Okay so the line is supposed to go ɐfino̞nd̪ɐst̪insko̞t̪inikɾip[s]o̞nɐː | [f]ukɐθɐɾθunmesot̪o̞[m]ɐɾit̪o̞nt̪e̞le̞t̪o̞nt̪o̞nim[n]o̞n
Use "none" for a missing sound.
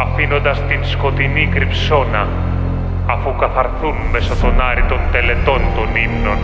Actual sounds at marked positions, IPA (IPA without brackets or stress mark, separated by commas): s, f, n, n